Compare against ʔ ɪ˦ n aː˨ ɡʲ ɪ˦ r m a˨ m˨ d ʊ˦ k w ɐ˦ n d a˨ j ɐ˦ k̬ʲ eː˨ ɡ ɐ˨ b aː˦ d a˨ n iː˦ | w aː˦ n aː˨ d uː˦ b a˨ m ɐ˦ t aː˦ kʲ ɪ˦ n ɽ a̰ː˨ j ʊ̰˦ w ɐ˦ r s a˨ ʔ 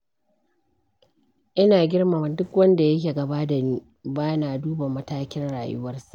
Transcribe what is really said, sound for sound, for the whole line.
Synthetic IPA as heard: ʔ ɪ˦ n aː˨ ɡʲ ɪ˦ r m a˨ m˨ d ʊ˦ k w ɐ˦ n d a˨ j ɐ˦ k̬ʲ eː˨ ɡ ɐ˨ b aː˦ d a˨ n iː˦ | b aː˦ n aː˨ d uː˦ b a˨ m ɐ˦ t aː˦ kʲ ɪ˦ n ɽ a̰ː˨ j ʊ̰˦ w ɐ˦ r s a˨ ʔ